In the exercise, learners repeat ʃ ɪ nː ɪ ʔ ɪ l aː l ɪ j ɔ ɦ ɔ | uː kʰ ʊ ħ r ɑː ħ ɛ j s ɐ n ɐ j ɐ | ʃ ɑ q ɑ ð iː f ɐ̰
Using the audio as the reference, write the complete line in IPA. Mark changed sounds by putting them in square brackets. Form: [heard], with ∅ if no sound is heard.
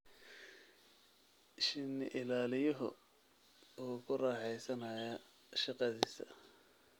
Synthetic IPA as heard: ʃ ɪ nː ɪ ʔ ɪ l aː l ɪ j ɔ ɦ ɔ | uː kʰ ʊ [∅] r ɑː ħ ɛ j s ɐ n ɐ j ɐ | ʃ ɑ q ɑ ð iː [s] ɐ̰